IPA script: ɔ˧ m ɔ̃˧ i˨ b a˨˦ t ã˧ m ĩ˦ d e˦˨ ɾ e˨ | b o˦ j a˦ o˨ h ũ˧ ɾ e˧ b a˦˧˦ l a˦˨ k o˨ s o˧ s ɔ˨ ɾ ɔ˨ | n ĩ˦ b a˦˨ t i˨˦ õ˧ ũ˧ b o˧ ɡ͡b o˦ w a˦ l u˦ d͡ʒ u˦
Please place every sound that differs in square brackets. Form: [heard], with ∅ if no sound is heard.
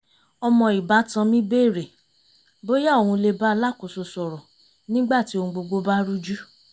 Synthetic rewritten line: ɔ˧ m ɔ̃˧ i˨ b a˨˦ t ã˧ m ĩ˦ [b] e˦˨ ɾ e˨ | b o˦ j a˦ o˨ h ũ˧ [l] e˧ b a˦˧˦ l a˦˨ k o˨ s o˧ s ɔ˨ ɾ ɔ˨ | n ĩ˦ [ɡ͡b] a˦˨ t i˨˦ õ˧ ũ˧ [ɡ͡b] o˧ ɡ͡b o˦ [b] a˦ [ɾ] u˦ d͡ʒ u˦